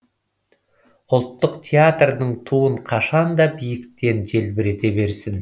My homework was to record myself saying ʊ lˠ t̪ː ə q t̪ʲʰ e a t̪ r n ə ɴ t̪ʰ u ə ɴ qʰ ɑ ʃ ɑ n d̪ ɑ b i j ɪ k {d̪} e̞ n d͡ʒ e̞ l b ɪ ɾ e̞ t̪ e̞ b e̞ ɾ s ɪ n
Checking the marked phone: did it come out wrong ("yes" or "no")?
yes